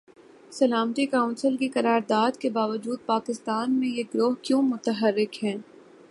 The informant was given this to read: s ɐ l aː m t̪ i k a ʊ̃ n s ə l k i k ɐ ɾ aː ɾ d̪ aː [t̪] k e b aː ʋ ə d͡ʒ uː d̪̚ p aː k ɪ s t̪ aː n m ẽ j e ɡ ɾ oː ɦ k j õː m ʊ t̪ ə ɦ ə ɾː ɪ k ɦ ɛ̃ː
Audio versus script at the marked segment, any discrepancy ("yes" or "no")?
yes